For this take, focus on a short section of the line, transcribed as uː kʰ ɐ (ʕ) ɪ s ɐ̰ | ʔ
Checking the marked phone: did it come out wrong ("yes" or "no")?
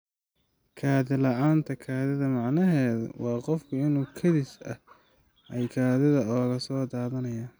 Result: yes